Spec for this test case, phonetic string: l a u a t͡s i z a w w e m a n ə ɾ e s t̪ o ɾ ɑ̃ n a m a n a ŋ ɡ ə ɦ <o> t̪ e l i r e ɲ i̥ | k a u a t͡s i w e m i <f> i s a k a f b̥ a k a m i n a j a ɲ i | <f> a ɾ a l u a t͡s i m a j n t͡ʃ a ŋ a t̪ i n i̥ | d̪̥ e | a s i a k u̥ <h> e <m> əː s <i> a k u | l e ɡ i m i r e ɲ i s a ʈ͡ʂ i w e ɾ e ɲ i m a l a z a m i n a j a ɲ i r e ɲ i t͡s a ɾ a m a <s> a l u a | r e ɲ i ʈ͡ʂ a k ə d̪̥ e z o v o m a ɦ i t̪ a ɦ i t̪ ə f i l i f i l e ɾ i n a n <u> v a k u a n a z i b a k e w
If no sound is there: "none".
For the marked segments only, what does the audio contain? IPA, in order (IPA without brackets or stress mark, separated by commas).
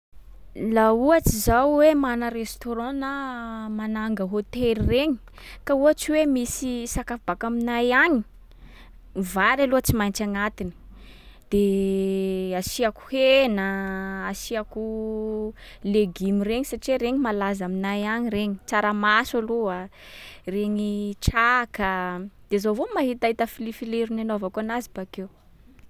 o, s, v, h, n, i, s, o